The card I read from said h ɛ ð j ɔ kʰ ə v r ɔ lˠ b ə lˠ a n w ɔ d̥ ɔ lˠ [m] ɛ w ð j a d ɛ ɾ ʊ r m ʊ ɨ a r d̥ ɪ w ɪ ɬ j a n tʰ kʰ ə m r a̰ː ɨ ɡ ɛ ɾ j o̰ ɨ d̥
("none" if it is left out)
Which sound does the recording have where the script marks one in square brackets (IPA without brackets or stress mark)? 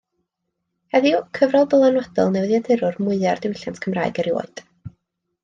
n